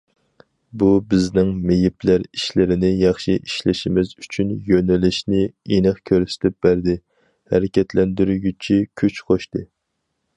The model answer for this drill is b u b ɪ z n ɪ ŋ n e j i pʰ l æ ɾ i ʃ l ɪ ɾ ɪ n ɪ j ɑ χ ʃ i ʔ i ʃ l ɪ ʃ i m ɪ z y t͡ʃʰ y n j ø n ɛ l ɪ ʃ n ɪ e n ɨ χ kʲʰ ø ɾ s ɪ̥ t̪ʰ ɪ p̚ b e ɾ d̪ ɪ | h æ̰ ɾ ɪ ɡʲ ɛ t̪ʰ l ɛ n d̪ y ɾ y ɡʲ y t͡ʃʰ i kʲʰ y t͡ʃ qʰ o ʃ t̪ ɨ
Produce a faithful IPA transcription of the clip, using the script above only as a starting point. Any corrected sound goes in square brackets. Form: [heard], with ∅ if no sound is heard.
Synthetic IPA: b u b ɪ z n ɪ ŋ [m] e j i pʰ l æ ɾ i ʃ l ɪ ɾ ɪ n ɪ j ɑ χ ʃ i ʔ i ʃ l ɪ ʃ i m ɪ z y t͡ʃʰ y n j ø n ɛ l ɪ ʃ n ɪ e n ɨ χ kʲʰ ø ɾ s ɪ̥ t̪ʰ ɪ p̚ b [æ] ɾ d̪ ɪ | h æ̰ ɾ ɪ [kʲ] ɛ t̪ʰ l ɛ n d̪ y ɾ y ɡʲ y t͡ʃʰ i kʲʰ y t͡ʃ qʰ o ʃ t̪ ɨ